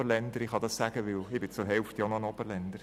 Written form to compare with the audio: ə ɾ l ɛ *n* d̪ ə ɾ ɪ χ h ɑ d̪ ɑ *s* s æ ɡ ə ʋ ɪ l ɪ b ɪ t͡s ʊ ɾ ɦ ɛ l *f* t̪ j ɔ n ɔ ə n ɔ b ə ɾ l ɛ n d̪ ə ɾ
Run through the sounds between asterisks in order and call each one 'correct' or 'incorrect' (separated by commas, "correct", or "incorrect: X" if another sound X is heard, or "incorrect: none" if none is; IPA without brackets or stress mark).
correct, correct, correct